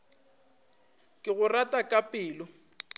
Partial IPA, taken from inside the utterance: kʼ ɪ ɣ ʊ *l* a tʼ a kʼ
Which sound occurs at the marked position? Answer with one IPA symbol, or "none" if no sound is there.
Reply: r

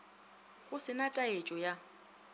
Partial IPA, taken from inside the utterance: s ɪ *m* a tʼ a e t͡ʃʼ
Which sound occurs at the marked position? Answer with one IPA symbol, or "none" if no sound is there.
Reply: n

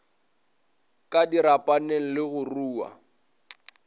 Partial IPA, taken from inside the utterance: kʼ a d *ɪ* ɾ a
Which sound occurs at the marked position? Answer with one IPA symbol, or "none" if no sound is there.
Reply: i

